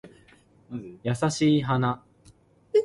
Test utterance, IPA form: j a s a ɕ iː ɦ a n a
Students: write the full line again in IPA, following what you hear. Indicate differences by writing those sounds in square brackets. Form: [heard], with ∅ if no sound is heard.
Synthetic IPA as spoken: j a s a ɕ iː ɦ a n a